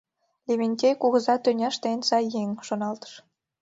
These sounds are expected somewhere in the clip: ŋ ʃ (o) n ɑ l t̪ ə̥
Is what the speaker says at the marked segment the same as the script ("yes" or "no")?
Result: yes